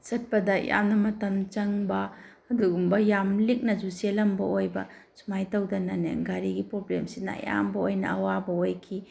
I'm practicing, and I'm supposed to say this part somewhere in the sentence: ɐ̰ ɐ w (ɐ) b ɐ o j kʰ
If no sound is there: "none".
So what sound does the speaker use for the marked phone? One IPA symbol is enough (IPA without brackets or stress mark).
a